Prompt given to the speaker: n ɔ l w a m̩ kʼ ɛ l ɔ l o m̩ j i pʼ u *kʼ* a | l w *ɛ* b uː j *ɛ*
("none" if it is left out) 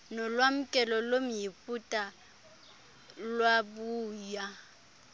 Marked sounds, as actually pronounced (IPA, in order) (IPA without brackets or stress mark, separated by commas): tʼ, a, a